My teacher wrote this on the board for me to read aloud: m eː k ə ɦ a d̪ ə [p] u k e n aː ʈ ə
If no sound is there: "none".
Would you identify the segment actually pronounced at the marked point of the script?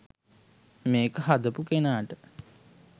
p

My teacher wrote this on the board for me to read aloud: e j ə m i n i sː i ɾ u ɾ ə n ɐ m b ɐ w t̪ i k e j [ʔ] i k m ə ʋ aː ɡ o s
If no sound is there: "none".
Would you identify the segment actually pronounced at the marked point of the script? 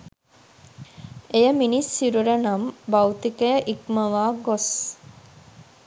ʔ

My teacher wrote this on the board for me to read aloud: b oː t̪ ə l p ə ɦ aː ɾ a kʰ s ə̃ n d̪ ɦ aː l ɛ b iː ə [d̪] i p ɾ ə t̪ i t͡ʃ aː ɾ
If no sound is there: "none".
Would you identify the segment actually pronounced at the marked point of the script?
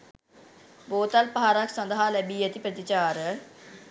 t̪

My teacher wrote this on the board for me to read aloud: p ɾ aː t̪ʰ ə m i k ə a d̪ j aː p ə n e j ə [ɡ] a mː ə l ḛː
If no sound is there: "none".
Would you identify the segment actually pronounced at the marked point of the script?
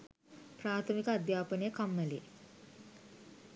k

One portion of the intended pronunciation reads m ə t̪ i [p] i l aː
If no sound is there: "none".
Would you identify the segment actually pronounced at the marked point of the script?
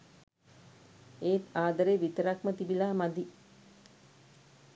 b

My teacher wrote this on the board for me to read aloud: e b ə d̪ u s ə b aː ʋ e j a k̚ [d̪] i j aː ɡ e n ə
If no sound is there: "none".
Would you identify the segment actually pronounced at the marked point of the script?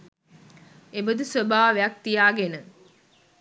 t̪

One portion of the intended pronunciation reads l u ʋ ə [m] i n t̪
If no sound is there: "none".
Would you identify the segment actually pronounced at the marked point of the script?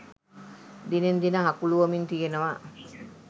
m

